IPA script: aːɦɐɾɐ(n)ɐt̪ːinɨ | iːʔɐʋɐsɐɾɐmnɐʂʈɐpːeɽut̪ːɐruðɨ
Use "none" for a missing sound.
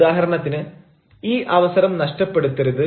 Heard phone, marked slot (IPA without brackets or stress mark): ɳ